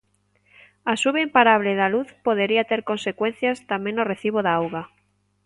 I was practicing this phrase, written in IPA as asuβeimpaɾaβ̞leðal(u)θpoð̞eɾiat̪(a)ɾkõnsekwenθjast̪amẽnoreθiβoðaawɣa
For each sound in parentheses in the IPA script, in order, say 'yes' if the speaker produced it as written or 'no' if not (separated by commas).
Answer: yes, no